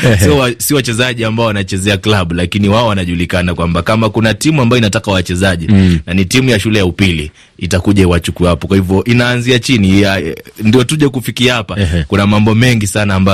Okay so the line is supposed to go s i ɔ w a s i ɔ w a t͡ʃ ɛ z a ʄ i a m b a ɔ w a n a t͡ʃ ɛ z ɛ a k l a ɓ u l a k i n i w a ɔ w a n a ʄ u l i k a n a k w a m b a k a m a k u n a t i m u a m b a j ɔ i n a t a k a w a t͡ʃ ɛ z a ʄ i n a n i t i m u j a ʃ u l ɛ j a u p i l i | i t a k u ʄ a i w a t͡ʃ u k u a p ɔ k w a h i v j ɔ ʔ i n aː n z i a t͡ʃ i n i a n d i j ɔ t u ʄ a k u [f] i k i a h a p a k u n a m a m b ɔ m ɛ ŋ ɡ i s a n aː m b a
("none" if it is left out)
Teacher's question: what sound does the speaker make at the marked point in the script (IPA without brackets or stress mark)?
f